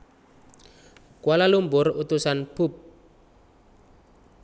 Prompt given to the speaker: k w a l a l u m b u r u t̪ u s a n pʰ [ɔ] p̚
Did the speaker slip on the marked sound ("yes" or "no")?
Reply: yes